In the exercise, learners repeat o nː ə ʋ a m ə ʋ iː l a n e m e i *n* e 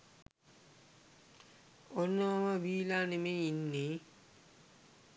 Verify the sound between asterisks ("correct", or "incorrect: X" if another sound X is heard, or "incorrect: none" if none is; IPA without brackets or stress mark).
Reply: incorrect: nː